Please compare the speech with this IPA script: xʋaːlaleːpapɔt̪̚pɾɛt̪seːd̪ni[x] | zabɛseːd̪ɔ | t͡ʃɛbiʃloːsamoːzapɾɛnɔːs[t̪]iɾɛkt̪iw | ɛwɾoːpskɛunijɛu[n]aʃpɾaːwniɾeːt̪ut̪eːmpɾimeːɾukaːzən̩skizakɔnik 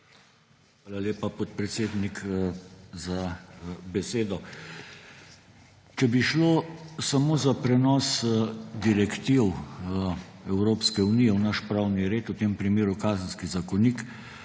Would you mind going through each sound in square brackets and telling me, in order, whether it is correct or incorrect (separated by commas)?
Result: incorrect, incorrect, correct